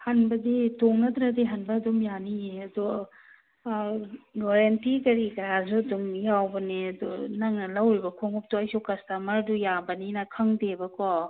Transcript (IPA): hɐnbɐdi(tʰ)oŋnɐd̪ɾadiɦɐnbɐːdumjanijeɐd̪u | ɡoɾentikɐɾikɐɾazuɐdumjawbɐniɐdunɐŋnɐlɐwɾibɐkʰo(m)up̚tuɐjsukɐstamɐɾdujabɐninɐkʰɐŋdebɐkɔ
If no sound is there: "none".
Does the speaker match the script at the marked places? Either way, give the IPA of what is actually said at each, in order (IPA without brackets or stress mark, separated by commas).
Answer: t, ŋ